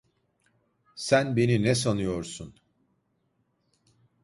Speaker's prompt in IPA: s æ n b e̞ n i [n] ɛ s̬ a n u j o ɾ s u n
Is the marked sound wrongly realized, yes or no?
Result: no